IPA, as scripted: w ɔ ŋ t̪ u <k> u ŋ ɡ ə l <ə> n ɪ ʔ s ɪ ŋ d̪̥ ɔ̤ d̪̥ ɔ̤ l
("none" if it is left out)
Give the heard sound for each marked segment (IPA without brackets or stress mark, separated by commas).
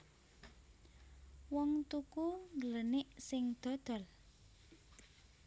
k, ə